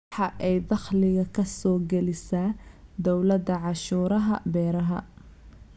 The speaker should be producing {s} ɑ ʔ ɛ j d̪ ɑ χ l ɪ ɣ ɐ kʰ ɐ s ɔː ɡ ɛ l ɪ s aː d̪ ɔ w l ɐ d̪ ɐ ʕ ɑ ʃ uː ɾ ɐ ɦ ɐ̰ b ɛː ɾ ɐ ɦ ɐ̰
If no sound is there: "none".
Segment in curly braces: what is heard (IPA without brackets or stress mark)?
ħ